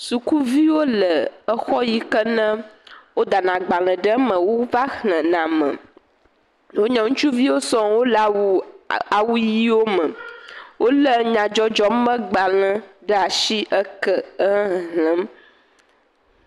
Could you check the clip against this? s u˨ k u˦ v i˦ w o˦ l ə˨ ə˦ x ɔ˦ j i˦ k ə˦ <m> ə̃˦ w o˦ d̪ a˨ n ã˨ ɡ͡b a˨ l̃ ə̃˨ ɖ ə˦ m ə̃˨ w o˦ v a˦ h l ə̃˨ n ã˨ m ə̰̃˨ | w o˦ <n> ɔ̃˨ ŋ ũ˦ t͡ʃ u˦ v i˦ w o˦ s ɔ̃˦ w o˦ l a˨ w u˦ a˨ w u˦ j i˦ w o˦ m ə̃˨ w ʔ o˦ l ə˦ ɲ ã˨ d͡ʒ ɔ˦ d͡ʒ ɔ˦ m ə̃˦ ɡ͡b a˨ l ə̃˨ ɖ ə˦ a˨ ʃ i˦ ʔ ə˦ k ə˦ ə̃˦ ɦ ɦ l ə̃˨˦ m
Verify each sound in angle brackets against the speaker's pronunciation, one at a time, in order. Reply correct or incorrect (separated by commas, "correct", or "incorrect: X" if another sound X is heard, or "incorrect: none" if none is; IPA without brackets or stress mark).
incorrect: n, incorrect: ɲ